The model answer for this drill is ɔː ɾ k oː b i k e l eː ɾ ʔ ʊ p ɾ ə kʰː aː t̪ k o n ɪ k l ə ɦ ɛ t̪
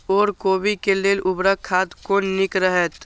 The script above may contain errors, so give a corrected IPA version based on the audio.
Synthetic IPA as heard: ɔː ɾ k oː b i k e l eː l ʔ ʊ b ɾ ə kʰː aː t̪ k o n ɪ k ɾ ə ɦ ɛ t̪